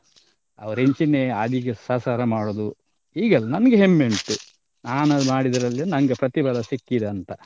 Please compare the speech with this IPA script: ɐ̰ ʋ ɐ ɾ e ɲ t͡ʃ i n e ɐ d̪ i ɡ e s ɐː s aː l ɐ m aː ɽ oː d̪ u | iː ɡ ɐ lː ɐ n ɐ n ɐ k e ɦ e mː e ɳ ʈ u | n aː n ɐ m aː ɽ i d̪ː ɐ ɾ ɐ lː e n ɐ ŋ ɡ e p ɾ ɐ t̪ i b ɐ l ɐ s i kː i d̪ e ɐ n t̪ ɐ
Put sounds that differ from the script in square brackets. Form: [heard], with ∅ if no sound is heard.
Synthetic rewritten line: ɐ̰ ʋ ɐ ɾ e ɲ t͡ʃ i n e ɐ d̪ i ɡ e s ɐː s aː [ɾ] ɐ m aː ɽ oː d̪ u | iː ɡ ɐ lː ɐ n ɐ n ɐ [ɡ] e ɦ e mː e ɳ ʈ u | n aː n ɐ m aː ɽ i [d̪] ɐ ɾ ɐ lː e n ɐ ŋ ɡ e p ɾ ɐ t̪ i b ɐ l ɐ s i kː i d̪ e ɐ n t̪ ɐ

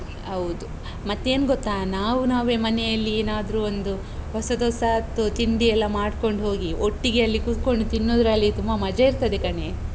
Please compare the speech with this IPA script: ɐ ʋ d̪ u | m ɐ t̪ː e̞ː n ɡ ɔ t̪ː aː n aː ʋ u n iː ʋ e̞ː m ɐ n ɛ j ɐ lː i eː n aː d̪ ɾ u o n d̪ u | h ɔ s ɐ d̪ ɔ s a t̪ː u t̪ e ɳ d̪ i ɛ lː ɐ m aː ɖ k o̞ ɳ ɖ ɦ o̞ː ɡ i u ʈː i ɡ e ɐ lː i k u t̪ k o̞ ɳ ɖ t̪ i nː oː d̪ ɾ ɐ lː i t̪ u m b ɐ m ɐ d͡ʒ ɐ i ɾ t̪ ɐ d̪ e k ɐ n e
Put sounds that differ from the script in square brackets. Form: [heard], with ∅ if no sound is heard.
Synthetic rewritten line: ɐ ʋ d̪ u | m ɐ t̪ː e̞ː n ɡ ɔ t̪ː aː n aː ʋ u n [aː] ʋ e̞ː m ɐ n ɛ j ɐ lː i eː n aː d̪ ɾ u o n d̪ u | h ɔ s ɐ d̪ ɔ s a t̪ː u t̪ [i] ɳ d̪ i ɛ lː ɐ m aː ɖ k o̞ ɳ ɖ ɦ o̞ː ɡ i [o] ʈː i ɡ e ɐ lː i k u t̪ k o̞ ɳ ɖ t̪ i nː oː d̪ ɾ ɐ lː i t̪ u m b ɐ m ɐ d͡ʒ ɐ i ɾ t̪ ɐ d̪ e k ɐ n e

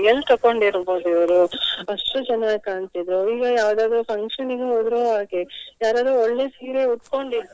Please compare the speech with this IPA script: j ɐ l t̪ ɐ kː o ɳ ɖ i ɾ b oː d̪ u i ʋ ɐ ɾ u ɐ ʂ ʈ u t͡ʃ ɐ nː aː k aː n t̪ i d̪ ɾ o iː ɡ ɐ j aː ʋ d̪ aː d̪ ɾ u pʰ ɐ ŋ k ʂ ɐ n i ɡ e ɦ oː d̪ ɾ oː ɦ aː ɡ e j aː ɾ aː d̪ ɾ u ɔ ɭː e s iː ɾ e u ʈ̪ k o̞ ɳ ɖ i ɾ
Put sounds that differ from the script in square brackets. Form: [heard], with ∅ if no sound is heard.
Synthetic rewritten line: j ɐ l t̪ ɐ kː o ɳ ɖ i ɾ b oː d̪ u i ʋ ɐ ɾ u ɐ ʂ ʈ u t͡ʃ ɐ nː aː k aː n t̪ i d̪ ɾ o iː ɡ ɐ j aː ʋ d̪ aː d̪ ɾ u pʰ ɐ ŋ k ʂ ɐ n i ɡ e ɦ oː d̪ ɾ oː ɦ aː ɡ e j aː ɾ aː d̪ ɾ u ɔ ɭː e s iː ɾ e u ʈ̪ k o̞ ɳ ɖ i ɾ

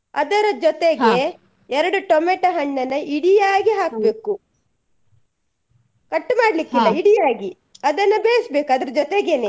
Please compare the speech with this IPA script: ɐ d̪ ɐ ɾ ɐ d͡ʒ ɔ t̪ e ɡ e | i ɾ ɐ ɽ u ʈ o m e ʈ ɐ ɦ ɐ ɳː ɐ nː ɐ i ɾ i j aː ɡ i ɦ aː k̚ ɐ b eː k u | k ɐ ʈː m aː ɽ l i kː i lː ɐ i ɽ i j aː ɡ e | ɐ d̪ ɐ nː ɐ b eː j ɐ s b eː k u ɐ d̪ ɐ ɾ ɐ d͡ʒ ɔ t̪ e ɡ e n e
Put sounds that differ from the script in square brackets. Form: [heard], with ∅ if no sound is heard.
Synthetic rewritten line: ɐ d̪ ɐ ɾ ɐ d͡ʒ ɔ t̪ e ɡ e | [ɛ] ɾ ɐ ɽ u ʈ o m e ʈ ɐ ɦ ɐ ɳː ɐ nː ɐ i [ɽ] i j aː ɡ i ɦ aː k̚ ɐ b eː k u | k ɐ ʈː m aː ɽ l i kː i lː ɐ i ɽ i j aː ɡ [i] | ɐ d̪ ɐ nː ɐ b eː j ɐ s b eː k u ɐ d̪ ɐ ɾ ɐ d͡ʒ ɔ t̪ e ɡ e n e

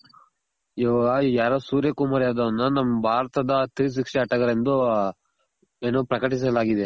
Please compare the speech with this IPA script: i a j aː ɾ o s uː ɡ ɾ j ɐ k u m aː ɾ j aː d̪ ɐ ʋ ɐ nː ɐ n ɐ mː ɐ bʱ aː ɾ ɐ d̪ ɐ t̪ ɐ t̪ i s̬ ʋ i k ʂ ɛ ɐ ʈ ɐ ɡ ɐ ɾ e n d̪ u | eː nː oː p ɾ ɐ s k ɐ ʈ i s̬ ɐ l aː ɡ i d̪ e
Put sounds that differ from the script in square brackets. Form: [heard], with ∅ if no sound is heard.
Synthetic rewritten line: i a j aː ɾ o s uː [∅] ɾ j ɐ k u m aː ɾ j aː d̪ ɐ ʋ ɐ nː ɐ n ɐ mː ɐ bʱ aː ɾ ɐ [t̪] ɐ [d̪] ɐ t̪ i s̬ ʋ i k ʂ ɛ ɐ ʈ ɐ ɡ ɐ ɾ e n d̪ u | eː [n] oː p ɾ ɐ [∅] k ɐ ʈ i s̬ ɐ l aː ɡ i d̪ e

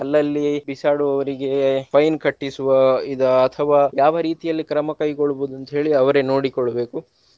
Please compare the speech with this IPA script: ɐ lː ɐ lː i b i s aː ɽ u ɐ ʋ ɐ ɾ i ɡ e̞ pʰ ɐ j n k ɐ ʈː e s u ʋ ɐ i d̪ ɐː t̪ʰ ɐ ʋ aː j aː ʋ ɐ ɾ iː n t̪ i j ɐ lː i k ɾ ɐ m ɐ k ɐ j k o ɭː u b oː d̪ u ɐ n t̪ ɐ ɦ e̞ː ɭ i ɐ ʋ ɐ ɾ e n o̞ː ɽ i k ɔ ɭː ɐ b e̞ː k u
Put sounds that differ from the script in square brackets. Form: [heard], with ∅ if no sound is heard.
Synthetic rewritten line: ɐ lː ɐ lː i b i s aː ɽ u ɐ ʋ ɐ ɾ i ɡ e̞ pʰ ɐ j n k ɐ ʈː [i] s u ʋ ɐ i d̪ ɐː t̪ʰ ɐ ʋ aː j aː ʋ ɐ ɾ iː [∅] t̪ i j ɐ lː i k ɾ ɐ m ɐ k ɐ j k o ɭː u b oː d̪ u ɐ n t̪ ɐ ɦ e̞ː ɭ i ɐ ʋ ɐ ɾ e n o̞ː ɽ i k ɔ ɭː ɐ b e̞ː k u

